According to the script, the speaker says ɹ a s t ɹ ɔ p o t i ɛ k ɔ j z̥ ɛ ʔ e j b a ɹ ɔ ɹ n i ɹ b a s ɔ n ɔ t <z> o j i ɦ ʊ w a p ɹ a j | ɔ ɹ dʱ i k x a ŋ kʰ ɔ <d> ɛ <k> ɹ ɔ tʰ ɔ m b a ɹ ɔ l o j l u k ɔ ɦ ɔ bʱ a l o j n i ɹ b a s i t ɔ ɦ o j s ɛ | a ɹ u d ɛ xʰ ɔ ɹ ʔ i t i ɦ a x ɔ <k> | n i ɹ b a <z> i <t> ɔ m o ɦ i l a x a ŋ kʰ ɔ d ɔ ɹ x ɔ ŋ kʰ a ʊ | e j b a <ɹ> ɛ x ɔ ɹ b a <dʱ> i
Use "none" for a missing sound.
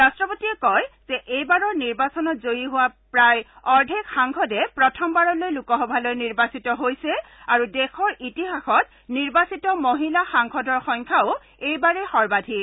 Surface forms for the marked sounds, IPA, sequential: z, d, p, t, s, t, ɹ, dʱ

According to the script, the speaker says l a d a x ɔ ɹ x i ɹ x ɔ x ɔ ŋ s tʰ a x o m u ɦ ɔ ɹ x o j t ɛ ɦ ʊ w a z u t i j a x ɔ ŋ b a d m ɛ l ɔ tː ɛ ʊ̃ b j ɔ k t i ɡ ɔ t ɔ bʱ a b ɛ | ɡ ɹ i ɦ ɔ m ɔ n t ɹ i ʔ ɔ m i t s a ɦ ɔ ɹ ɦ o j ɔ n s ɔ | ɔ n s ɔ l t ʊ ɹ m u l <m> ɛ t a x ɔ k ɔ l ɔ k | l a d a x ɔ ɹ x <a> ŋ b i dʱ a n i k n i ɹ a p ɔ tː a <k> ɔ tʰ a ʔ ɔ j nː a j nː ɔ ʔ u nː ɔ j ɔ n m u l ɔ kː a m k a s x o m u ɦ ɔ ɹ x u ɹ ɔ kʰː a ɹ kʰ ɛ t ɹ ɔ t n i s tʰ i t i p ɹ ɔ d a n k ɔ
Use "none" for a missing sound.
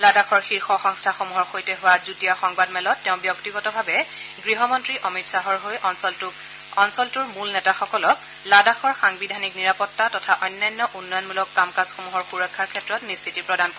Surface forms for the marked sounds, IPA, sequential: n, a, t

